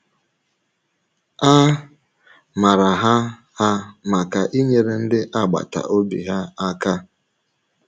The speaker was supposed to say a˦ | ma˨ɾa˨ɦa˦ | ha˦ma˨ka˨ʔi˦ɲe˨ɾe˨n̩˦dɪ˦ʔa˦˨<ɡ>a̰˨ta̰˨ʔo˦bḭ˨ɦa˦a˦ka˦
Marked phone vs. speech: incorrect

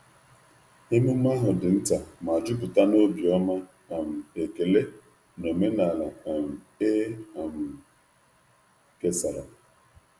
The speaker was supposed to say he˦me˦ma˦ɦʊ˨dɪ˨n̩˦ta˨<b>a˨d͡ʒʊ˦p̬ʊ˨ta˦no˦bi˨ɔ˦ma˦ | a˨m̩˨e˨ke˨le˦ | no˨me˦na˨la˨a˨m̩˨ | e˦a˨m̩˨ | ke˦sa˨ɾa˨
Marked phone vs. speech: incorrect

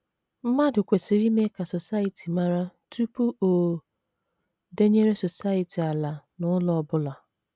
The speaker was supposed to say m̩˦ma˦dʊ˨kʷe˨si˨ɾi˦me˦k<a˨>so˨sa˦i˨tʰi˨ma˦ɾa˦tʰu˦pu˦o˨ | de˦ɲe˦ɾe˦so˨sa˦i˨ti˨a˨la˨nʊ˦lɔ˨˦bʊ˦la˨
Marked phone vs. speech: correct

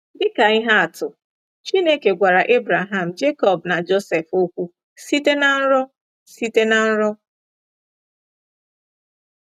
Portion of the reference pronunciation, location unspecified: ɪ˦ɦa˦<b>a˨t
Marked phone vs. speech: incorrect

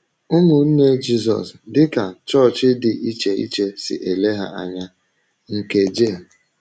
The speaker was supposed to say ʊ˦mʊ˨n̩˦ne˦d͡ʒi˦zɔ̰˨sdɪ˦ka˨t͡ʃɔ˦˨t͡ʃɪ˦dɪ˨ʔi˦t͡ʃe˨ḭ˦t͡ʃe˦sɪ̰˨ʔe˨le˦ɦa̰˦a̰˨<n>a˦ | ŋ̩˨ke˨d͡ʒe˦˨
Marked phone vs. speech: incorrect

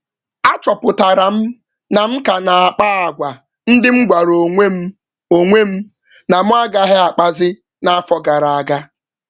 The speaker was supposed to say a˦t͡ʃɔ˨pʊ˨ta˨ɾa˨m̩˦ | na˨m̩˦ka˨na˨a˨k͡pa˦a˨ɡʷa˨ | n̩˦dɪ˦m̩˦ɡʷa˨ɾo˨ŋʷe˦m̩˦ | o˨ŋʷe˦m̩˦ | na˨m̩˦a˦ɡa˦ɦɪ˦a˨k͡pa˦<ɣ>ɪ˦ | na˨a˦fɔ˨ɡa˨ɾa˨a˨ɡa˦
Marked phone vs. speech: incorrect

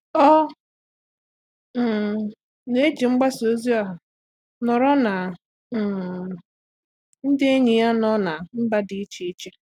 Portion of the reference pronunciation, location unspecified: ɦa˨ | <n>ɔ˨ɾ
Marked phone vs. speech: correct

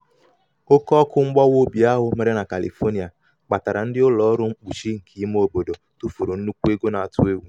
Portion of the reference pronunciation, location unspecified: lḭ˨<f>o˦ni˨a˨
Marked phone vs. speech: correct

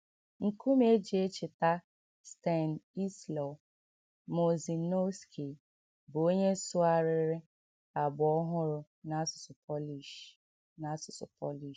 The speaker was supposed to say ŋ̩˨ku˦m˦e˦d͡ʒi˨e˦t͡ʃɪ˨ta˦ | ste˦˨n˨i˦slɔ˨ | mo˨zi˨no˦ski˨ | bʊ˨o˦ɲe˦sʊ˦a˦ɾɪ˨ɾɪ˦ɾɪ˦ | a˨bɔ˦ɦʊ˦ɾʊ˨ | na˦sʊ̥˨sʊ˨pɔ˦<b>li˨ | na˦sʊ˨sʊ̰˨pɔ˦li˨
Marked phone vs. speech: incorrect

